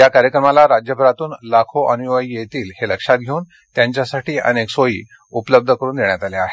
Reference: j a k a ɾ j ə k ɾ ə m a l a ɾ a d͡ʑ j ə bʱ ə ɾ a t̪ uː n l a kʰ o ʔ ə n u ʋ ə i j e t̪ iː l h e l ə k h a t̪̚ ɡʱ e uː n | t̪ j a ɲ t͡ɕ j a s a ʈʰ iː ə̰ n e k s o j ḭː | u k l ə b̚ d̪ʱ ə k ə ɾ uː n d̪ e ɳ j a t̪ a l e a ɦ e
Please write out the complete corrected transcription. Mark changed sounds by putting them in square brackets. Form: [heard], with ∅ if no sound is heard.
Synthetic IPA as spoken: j a k a ɾ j ə k ɾ ə m a l a ɾ a d͡ʑ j ə bʱ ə ɾ a t̪ uː n l a kʰ o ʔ ə n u ʋ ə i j e t̪ iː l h e l ə k [ʂ] a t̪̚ ɡʱ e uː n | t̪ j a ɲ t͡ɕ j a s a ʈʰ iː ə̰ n e k s o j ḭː | u [p] l ə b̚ d̪ʱ ə k ə ɾ uː n d̪ e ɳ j a t̪ a l e a ɦ e